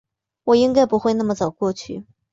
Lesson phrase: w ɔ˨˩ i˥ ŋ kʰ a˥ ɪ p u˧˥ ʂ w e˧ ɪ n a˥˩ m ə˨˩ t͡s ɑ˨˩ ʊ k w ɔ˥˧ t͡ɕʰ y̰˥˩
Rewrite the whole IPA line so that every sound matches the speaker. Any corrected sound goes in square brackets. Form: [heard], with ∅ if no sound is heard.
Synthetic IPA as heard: w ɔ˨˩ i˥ ŋ [k] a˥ ɪ p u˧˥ [x] w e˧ ɪ n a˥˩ m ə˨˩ t͡s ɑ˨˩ ʊ k w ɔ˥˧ t͡ɕʰ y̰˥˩